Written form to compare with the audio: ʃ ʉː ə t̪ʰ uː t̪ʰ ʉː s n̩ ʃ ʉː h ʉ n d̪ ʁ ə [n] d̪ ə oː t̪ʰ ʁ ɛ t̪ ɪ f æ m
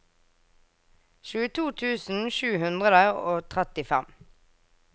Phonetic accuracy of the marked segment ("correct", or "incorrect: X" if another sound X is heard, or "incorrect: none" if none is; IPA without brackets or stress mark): incorrect: none